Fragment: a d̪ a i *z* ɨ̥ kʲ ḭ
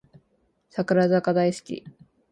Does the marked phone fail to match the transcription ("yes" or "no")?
yes